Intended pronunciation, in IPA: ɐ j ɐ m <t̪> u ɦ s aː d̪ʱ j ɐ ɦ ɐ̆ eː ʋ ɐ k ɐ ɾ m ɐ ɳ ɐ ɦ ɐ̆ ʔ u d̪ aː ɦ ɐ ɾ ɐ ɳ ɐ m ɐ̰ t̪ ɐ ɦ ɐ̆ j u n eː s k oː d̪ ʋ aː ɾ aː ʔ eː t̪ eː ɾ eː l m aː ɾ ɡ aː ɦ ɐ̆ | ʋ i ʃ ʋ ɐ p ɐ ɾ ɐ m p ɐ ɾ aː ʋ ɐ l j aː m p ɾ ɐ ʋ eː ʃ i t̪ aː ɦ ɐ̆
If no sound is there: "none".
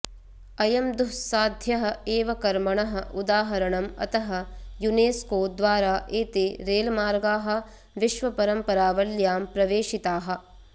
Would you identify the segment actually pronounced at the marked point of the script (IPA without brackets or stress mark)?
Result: d̪